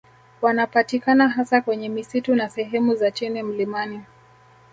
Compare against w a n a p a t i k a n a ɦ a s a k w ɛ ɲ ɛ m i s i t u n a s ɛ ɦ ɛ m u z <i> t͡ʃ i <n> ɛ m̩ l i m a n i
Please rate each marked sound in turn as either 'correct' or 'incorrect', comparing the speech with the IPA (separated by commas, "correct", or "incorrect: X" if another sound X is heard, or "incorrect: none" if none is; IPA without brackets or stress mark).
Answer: incorrect: a, correct